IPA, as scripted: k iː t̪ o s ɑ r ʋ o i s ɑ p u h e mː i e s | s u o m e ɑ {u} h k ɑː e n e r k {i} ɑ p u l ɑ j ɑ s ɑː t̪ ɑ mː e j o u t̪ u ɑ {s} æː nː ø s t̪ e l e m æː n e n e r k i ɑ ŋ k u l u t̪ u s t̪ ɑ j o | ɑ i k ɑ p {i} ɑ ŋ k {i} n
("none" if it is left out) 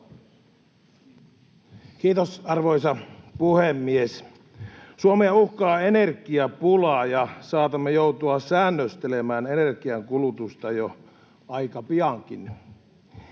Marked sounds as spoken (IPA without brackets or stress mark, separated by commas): u, i, s, i, i